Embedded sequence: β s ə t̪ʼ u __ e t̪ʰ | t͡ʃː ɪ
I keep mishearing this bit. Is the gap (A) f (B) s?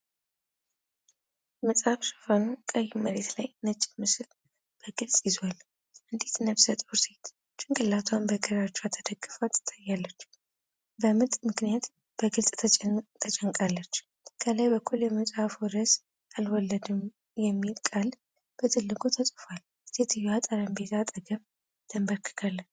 B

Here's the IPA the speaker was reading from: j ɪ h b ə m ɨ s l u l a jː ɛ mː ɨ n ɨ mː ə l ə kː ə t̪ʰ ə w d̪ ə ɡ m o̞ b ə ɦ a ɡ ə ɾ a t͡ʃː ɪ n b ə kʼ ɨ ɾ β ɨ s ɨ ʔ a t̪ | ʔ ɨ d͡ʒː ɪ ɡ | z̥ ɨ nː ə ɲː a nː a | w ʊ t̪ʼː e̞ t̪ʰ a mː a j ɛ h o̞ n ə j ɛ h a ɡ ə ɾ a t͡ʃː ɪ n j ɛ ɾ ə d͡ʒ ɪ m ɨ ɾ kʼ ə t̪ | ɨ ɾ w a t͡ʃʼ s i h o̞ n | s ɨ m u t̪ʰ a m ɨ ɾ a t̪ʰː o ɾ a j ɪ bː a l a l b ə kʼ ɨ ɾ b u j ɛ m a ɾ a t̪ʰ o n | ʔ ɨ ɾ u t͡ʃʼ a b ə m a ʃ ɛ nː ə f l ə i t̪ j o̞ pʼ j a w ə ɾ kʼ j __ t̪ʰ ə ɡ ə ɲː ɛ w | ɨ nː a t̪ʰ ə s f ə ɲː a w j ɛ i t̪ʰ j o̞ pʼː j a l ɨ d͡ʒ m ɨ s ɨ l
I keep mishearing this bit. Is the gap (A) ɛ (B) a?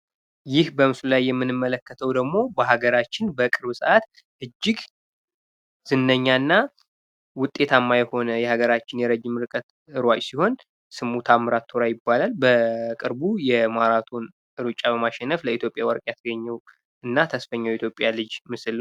B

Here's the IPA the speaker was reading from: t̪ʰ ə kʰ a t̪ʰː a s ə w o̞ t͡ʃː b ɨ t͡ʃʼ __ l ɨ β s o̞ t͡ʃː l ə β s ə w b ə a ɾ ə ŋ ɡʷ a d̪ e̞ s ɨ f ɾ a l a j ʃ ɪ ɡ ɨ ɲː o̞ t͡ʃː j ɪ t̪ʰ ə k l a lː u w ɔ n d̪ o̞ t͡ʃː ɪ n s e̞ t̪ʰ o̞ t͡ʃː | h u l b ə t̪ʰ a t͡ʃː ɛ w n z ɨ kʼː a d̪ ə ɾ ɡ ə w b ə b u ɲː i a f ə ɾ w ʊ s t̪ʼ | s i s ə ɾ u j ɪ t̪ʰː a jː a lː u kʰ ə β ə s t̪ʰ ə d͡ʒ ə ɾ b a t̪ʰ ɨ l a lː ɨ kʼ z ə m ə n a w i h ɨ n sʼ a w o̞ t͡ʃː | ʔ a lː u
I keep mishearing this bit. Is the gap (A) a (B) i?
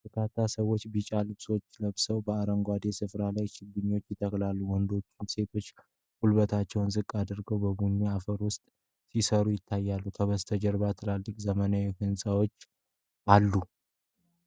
A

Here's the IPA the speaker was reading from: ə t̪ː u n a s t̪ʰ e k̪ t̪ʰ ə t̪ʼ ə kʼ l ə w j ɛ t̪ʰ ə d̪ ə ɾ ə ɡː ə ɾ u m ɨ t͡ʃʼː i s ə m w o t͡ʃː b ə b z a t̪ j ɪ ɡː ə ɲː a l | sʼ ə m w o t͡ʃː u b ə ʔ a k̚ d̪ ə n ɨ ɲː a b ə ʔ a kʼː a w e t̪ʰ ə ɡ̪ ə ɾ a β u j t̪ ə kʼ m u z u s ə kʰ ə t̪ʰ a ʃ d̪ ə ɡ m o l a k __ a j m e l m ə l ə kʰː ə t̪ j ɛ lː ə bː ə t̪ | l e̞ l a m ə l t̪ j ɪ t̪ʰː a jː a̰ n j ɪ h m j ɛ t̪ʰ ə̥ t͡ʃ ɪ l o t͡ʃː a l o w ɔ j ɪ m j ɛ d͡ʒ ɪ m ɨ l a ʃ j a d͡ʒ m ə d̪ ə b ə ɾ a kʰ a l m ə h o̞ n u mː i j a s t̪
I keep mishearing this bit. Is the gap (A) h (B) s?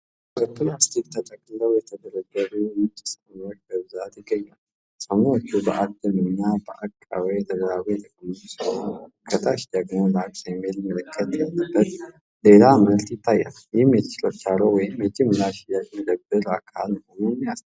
B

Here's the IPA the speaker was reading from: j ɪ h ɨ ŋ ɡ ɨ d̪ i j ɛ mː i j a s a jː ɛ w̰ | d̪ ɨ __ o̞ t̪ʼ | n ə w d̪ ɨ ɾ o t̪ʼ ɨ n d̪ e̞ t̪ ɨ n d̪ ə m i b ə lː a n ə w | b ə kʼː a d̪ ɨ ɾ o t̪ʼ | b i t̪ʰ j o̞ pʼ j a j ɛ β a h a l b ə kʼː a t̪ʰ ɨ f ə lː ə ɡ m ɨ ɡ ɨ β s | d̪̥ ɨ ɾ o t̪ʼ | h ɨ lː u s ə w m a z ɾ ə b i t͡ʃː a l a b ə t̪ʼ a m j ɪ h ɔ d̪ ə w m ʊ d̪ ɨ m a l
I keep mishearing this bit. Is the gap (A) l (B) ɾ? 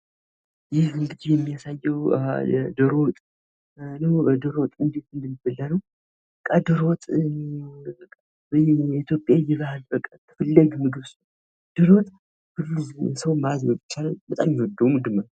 B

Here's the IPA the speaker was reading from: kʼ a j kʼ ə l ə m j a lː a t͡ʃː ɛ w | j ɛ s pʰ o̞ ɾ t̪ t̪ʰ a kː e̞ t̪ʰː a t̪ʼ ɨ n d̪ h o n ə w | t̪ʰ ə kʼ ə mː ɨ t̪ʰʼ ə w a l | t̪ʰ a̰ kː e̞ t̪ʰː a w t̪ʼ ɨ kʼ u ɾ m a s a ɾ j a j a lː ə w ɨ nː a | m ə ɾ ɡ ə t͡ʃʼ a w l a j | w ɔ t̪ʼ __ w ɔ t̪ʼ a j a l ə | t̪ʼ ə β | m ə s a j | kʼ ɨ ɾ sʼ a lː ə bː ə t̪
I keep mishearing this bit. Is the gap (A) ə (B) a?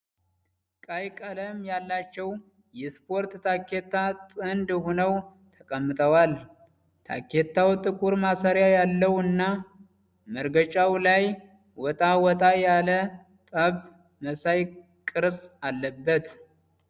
B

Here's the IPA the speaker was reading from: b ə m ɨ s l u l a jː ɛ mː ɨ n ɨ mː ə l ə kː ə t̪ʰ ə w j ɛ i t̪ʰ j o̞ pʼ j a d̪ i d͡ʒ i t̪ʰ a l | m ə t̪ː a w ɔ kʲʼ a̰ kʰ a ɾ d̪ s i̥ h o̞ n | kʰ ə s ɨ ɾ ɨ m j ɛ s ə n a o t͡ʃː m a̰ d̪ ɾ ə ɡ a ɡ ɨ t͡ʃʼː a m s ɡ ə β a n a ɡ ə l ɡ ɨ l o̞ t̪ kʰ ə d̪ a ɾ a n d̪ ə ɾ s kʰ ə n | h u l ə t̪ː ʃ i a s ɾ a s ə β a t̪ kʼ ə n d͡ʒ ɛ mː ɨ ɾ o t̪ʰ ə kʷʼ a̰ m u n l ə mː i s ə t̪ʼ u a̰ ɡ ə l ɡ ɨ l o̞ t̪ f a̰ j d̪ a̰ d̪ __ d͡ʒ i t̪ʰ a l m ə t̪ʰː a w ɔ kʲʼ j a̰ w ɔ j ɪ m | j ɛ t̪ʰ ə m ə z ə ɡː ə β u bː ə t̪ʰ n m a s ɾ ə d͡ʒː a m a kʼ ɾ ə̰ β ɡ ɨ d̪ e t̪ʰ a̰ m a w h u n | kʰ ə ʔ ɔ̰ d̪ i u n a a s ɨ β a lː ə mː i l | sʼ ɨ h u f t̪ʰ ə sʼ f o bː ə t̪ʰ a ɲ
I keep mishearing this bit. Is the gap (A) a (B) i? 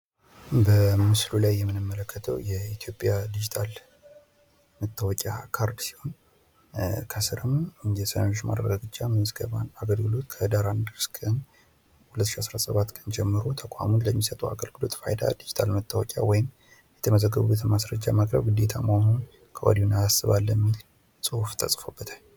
B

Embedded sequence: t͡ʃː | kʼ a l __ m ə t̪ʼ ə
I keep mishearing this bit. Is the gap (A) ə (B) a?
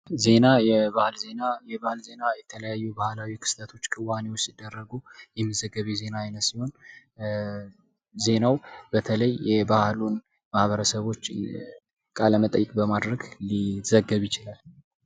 A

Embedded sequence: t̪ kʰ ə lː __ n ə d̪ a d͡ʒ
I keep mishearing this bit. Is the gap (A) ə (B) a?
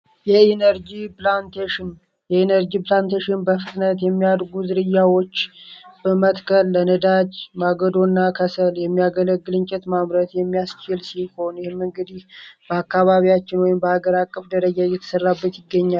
A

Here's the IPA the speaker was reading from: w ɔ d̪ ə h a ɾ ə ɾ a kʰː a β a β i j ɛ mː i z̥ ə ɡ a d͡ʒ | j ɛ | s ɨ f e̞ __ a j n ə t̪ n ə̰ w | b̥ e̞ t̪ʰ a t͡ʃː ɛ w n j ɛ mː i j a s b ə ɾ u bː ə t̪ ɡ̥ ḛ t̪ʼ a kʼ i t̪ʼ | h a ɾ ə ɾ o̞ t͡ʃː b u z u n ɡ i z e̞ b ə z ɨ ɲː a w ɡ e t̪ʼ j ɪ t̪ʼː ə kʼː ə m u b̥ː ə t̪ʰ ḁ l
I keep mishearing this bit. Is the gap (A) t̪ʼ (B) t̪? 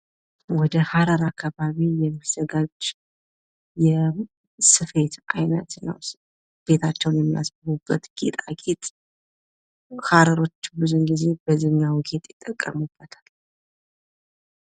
B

